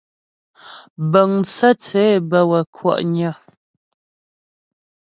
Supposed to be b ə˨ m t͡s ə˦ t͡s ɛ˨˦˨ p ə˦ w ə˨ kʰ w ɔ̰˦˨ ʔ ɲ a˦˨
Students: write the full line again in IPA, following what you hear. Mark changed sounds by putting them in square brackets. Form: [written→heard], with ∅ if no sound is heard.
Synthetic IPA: b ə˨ [m→ŋ] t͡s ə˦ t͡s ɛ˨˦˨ [p→b] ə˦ w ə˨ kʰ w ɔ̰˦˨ ʔ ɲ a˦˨